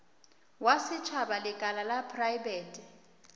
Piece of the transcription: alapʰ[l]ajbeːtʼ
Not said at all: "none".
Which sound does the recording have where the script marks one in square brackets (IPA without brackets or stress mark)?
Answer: r